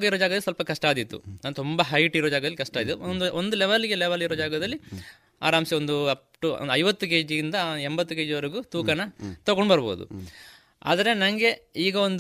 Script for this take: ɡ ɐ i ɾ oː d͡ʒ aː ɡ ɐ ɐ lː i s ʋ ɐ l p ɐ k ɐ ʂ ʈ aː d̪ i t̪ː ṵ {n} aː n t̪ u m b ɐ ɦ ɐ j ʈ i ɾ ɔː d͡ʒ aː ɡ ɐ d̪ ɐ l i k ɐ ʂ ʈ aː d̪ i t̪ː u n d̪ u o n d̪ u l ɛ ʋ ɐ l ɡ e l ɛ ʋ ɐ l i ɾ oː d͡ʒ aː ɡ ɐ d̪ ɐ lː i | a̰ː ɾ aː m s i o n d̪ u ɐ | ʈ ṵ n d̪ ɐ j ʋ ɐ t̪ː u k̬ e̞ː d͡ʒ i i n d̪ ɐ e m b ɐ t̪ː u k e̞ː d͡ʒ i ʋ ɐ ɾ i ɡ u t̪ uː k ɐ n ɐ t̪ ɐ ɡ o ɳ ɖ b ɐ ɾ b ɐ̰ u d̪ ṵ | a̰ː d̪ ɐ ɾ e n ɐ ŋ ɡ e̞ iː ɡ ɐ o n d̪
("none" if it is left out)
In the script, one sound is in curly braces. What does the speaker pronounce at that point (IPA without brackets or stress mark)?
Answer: n